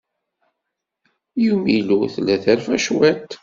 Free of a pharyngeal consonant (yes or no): yes